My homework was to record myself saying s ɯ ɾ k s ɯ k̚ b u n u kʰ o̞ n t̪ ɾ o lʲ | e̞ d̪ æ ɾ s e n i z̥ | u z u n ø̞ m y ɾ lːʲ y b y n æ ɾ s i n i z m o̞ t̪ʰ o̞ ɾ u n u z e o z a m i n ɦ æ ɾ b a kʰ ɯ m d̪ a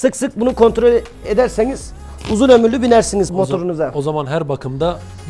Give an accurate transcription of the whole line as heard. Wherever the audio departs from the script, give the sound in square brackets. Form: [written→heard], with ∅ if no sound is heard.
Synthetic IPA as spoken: s ɯ [ɾ→∅] k s ɯ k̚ b u n u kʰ o̞ n t̪ ɾ o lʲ | e̞ d̪ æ ɾ s e n i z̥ | u z u n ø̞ m y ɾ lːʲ y b [y→i] n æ ɾ s i n i z m o̞ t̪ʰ o̞ ɾ u n u z [e→a] o z a m [i→a] n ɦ æ ɾ b a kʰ ɯ m d̪ a